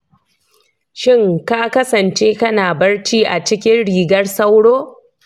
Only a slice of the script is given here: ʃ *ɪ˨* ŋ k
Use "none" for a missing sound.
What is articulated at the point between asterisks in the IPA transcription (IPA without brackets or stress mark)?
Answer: ɪ˦